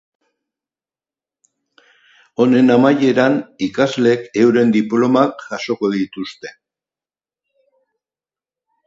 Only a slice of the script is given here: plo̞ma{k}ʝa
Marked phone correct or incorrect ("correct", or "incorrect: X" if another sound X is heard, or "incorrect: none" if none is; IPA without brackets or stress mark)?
correct